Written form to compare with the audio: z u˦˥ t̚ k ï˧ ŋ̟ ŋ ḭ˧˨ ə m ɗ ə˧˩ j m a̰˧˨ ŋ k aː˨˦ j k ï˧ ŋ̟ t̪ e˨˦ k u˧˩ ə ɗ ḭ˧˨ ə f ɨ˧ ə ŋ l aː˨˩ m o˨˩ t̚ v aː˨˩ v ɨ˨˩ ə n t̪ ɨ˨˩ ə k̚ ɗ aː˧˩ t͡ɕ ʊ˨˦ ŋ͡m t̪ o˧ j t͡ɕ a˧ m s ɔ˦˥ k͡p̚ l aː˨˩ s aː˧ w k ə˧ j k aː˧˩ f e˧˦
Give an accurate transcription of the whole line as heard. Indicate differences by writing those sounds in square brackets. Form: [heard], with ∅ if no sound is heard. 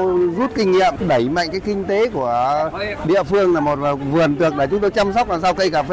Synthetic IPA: z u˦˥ t̚ k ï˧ ŋ̟ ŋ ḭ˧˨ ə m ɗ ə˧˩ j m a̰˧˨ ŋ k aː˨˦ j k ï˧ ŋ̟ t̪ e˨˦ k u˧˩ ə ɗ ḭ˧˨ ə f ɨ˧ ə ŋ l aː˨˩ m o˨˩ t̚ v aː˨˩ v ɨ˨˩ ə n t̪ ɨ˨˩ ə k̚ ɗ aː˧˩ t͡ɕ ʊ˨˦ ŋ͡m t̪ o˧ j t͡ɕ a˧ m s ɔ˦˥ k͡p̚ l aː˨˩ s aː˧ w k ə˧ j k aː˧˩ f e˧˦